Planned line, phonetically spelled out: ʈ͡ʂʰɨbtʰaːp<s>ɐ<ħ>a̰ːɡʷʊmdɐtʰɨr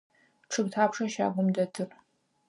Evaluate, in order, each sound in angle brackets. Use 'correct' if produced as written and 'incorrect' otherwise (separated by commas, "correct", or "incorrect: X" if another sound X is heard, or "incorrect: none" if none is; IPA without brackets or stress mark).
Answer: incorrect: ʂ, incorrect: ʃ